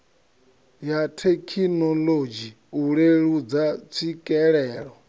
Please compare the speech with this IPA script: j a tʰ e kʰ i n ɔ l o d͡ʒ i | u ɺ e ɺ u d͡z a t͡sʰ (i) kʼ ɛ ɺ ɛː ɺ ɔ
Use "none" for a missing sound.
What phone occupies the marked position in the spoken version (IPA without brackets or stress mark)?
i